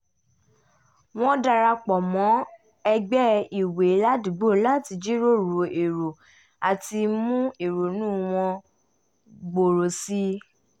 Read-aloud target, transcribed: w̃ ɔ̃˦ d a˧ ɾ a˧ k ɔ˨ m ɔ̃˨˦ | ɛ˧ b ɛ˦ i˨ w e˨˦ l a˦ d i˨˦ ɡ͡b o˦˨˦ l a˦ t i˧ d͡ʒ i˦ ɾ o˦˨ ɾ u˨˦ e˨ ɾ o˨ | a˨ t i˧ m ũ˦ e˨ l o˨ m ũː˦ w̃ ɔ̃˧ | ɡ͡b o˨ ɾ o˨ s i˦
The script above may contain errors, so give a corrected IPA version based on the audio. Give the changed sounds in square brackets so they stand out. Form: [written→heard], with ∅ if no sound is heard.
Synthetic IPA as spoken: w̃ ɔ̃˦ d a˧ ɾ a˧ [k→k͡p] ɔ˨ m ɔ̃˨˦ | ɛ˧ [b→ɡ͡b] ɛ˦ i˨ w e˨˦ l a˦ d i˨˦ ɡ͡b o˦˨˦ l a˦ t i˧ d͡ʒ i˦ ɾ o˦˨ ɾ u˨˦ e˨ ɾ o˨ | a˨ t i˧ m ũ˦ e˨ [l→ɾ] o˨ [m→n] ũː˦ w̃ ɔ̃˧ | ɡ͡b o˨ ɾ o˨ s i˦